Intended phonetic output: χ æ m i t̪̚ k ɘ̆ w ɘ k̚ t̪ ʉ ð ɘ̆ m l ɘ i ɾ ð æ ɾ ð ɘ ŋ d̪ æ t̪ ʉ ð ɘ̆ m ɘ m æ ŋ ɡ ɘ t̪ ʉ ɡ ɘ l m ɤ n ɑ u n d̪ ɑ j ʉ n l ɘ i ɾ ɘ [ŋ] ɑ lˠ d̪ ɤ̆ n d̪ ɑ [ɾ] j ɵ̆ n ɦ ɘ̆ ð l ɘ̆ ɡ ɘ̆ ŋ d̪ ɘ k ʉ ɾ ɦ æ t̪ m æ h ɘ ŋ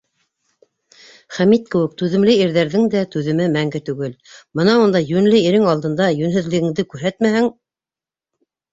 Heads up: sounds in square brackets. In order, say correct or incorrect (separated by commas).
correct, incorrect